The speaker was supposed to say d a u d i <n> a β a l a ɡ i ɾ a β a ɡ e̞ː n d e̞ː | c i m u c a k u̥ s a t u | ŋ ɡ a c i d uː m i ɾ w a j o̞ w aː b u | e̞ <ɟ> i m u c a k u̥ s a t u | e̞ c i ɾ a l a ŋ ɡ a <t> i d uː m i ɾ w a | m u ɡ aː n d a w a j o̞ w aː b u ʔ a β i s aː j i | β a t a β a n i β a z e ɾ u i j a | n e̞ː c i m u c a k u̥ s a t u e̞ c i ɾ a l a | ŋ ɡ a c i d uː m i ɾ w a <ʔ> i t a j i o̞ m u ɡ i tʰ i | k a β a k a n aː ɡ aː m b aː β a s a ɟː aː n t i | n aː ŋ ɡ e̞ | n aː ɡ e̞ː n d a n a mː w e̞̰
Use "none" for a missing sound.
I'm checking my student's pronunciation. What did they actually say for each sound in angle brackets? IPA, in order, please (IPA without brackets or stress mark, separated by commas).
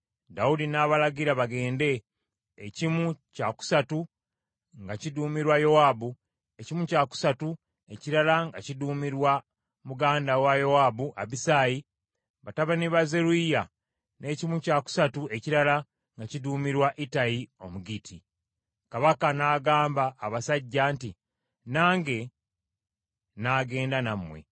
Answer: n, c, c, ʔ